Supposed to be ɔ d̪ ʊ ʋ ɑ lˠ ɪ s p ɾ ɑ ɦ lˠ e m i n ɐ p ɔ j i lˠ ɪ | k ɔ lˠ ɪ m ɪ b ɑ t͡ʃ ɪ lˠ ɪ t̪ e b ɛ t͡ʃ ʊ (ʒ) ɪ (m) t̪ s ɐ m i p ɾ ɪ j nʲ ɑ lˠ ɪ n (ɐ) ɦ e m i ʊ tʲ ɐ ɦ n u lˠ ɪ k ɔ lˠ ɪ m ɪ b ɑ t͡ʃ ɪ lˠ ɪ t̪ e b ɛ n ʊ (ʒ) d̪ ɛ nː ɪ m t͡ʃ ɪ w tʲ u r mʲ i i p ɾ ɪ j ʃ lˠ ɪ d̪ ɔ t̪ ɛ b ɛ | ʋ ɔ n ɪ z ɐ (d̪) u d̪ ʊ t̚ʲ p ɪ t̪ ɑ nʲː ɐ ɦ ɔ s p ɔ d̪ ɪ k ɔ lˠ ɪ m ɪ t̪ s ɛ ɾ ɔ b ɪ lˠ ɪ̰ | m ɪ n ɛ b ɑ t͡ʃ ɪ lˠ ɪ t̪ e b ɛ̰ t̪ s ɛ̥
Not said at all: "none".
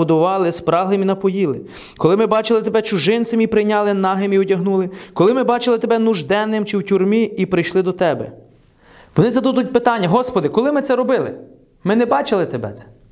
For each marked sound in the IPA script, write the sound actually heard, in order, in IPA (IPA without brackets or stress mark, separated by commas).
ʒ, n, ɑ, ʒ, d̪